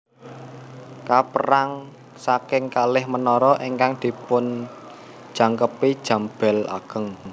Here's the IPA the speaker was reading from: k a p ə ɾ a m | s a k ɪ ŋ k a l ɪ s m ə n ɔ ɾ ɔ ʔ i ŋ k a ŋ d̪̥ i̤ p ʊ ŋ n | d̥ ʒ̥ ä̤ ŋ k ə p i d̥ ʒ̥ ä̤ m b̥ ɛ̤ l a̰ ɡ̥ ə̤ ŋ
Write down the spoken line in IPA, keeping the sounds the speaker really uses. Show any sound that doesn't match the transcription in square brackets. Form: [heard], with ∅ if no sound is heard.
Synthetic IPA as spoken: k a p ə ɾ a [ŋ] | s a k ɪ ŋ k a l ɪ [h] m ə n ɔ ɾ ɔ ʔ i ŋ k a ŋ d̪̥ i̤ p ʊ [∅] n | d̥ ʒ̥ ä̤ ŋ k ə p i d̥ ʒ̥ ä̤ m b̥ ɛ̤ l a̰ ɡ̥ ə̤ ŋ